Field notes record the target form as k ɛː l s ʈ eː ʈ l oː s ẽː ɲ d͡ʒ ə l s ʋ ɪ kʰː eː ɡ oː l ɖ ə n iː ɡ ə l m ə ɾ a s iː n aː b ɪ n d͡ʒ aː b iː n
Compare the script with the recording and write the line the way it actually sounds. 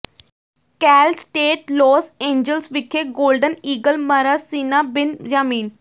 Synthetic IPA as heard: k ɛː l s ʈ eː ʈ l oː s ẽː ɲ d͡ʒ ə l s ʋ ɪ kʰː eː ɡ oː l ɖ ə n iː ɡ ə l m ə ɾ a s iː n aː b ɪ n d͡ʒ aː m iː n